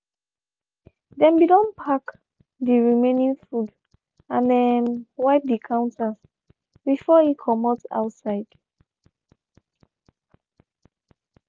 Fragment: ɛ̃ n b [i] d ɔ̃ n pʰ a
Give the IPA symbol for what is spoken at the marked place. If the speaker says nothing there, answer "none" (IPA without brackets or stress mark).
i